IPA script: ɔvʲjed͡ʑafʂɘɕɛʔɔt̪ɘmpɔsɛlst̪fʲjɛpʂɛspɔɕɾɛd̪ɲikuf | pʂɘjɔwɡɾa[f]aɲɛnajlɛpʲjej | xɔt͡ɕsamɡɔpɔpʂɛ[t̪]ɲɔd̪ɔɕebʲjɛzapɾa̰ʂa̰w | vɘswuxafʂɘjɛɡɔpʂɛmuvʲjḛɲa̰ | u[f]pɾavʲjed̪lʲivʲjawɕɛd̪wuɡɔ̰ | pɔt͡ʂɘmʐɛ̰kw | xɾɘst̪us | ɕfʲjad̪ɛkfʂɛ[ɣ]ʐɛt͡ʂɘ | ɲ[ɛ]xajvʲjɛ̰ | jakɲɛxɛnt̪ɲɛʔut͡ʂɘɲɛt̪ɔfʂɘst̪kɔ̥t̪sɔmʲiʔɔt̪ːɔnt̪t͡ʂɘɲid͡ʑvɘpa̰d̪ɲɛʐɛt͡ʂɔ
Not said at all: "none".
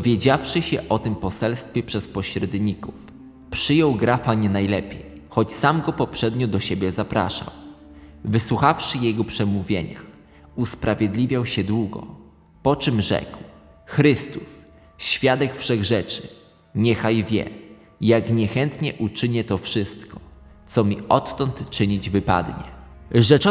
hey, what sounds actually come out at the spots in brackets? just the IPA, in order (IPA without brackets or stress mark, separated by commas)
f, d̪, s, ɣ, ɛ